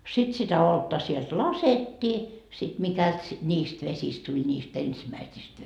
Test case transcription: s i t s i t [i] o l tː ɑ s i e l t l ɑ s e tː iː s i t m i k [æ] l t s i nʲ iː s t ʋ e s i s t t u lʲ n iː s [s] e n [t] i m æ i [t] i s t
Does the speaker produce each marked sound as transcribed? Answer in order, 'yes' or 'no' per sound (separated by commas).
no, yes, no, no, no